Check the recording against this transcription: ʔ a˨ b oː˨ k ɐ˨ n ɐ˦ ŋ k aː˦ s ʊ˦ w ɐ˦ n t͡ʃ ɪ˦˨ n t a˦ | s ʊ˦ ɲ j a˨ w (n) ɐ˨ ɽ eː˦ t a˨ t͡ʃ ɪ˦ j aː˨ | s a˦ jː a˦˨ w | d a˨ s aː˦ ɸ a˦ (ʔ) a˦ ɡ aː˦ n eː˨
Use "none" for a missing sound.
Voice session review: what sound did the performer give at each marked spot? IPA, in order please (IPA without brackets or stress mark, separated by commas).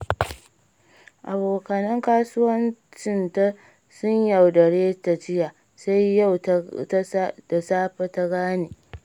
d, t